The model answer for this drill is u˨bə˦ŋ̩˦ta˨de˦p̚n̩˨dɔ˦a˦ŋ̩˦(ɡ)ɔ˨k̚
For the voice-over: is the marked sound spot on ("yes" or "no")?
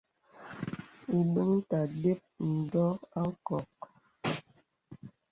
no